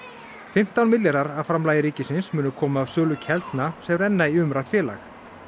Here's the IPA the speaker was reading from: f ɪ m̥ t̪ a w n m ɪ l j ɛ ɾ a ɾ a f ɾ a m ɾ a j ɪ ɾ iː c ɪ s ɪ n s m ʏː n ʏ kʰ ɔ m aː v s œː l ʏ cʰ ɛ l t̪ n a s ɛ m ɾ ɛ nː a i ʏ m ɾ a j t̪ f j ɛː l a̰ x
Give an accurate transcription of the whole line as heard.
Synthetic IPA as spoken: f ɪ m̥ t̪ a w n m ɪ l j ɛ ɾ a ɾ a f ɾ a m l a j ɪ ɾ iː c ɪ s ɪ n s m ʏː n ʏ kʰ ɔː m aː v s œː l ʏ cʰ ɛ l t̪ n a s ɛ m ɾ ɛ nː a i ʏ m ɾ a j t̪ f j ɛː l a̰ x

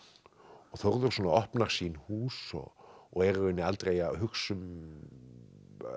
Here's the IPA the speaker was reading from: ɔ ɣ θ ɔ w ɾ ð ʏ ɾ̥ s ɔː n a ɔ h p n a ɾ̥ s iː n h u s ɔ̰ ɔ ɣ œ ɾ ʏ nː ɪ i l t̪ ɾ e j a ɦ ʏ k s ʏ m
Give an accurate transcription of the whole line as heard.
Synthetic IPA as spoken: ɔ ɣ θ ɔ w ɾ ð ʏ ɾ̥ s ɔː n a ɔ h p n a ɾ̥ s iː n h uː s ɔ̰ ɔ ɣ ɛ ɾ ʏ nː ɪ a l t̪ ɾ e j a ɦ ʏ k s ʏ m

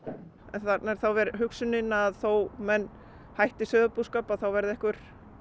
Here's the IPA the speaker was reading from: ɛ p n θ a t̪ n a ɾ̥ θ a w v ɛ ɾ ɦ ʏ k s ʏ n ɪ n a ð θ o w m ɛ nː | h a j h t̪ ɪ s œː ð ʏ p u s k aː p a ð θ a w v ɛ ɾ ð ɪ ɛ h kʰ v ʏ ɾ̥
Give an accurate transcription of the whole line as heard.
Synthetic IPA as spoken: ɛ n θ a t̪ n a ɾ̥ θ a w v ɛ ɾ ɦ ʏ k s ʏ n ɪ n a ð θ o w m ɛ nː | h a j h t̪ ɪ s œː ð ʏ p u s k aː p a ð θ a w v ɛ ɾ ð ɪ ɛ h k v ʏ ɾ̥

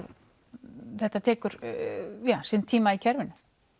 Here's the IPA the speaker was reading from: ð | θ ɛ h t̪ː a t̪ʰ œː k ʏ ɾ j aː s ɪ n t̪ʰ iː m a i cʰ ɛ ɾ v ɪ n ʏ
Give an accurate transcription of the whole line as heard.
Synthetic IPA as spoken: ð | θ ɛ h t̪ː a t̪ʰ ɛː k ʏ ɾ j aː s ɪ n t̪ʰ iː m a i cʰ ɛ ɾ v ɪ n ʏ

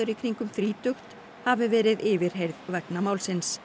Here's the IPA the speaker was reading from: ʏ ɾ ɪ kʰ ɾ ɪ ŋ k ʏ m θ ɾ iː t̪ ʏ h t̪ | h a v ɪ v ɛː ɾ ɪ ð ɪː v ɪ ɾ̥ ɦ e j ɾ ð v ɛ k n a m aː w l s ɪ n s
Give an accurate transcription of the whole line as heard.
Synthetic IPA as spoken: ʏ ɾ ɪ kʰ ɾ i ŋ k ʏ m θ ɾ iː t̪ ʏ x t̪ | h a v ɪ v ɛː ɾ ɪ ð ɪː v ɪ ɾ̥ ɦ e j ɾ ð v ɛ k n a m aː w l s ɪ n s

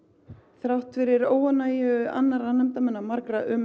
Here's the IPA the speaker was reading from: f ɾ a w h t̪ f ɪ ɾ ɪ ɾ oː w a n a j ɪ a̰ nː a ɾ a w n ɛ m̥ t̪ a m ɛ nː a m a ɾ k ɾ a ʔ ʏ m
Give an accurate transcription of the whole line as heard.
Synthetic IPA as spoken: θ ɾ a w h t̪ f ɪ ɾ ɪ ɾ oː w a n a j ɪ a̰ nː a ɾ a n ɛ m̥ t̪ a m ɛ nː a m a ɾ k ɾ a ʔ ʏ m

